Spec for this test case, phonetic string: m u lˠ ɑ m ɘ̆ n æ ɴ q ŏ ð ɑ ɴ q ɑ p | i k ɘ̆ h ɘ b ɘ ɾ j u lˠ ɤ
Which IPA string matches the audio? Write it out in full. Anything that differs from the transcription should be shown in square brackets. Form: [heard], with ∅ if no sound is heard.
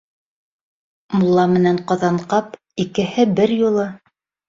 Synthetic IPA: m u [lˠː] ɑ m ɘ̆ n æ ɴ q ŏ ð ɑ ɴ q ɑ p | i k ɘ̆ h ɘ b ɘ ɾ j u lˠ ɤ